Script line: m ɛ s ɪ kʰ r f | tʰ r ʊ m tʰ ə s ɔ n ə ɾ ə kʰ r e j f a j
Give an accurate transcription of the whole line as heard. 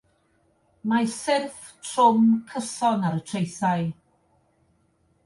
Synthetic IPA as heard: m a s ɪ r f | tʰ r ʊ m kʰ ə s ɔ n a ɾ ə tʰ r e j θ a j